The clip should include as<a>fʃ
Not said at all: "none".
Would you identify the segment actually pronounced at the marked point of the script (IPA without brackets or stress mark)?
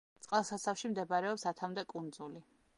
a